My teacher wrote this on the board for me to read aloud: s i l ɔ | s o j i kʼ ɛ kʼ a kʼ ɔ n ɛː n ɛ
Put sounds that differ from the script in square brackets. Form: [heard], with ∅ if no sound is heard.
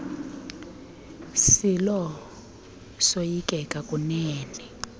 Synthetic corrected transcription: s i l ɔ | s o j i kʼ ɛ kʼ a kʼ [u] n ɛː n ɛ

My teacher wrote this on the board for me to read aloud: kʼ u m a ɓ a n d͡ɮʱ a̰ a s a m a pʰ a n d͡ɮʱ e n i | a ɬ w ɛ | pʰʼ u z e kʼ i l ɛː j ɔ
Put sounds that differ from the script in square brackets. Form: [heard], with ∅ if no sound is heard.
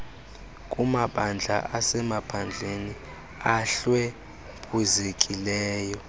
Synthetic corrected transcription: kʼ u m a ɓ a n d͡ɮʱ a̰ a s [ɛ] m a pʰ a n d͡ɮʱ e n i | a ɬ w ɛ | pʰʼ u z e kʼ i l ɛː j ɔ

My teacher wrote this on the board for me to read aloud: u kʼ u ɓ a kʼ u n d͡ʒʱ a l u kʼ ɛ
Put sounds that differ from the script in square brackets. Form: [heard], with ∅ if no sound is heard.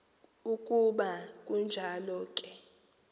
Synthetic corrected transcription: u kʼ u ɓ a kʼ u n d͡ʒʱ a l [ɔ] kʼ ɛ

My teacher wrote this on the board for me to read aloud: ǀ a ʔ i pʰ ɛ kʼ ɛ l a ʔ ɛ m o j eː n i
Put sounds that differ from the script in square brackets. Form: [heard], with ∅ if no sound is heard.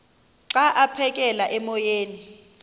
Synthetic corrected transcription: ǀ a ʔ [a] pʰ ɛ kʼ ɛ l a ʔ ɛ m [ɔ] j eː n i

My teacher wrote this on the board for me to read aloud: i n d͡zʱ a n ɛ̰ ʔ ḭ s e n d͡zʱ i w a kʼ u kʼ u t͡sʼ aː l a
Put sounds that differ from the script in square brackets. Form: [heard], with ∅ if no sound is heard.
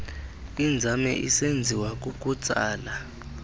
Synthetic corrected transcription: i n d͡zʱ a [m] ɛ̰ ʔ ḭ s e n d͡zʱ i w a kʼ u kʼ u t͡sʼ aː l a

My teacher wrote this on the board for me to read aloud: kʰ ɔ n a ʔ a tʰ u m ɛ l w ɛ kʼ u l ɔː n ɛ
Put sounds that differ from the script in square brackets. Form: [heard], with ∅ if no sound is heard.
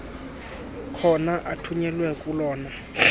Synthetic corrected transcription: kʰ ɔ n a ʔ a tʰ u [ɲ] ɛ l w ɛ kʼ u l ɔː n [a]

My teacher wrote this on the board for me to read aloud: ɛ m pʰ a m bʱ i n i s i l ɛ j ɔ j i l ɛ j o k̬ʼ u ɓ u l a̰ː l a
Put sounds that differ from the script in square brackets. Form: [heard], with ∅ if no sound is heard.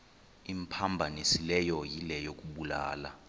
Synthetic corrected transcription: [i] m pʰ a m bʱ [a] n i s i l ɛ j ɔ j i l ɛ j o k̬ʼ u ɓ u l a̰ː l a

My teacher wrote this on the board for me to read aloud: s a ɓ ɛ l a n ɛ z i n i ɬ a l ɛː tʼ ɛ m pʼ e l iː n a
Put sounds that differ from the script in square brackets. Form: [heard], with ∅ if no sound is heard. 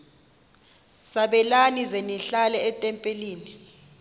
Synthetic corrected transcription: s a ɓ ɛ l a n [i] z [e] n i ɬ a l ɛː tʼ ɛ m pʼ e l iː n [i]

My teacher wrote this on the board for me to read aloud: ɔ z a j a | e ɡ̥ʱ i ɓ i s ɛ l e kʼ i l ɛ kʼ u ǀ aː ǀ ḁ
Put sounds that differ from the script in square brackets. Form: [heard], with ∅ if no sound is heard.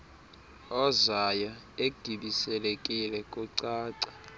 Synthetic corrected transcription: ɔ z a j a | e ɡ̥ʱ i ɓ i s ɛ l e kʼ i l ɛ kʼ u ǀ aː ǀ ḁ

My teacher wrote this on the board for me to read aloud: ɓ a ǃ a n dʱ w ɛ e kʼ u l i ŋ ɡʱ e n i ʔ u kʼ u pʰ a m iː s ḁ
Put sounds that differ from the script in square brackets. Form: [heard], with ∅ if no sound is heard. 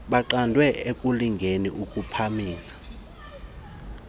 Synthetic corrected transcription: ɓ a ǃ a n dʱ w ɛ e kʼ u l i ŋ ɡʱ e n i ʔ u kʼ u pʰ a m iː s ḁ

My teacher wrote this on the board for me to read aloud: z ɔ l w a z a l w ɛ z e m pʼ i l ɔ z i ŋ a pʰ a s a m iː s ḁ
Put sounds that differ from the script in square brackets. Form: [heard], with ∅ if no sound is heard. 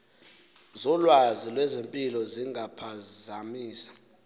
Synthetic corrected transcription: z ɔ l w a z [i] l w ɛ z e m pʼ i l ɔ z i ŋ a pʰ a [z] a m iː s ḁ

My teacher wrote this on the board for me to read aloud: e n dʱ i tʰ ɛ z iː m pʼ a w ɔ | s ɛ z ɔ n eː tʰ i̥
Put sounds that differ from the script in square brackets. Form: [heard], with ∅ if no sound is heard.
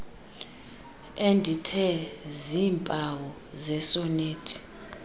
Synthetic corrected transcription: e n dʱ i tʰ ɛ z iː m pʼ a w ɔ | [z] ɛ [s] ɔ n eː tʰ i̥

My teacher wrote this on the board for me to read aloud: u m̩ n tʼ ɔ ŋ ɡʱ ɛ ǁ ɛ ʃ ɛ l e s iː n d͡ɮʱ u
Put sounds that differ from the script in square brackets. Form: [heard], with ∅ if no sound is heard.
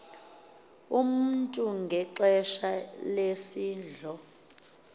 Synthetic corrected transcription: u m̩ n tʼ [u] ŋ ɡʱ ɛ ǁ ɛ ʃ [a] l e s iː n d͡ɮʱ [ɔ]

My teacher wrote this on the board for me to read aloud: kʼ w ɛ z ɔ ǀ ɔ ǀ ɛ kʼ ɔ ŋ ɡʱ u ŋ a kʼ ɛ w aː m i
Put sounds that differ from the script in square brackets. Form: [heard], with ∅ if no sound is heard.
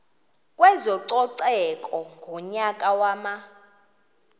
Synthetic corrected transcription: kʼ w ɛ z ɔ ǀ ɔ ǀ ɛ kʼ ɔ ŋ ɡʱ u [ɲ] a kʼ [a] w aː m [a]

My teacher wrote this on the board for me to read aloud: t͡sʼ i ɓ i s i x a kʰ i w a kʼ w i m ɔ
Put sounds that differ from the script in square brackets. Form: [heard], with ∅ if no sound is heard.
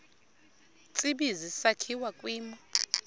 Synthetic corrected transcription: t͡sʼ i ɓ i [z] i [s] a kʰ i w a kʼ w [iː] m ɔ

